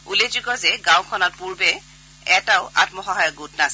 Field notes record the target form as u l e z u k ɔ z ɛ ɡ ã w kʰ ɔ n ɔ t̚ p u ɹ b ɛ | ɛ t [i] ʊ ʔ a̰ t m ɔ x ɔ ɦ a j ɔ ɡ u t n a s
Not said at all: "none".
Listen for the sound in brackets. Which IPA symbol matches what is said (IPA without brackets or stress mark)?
a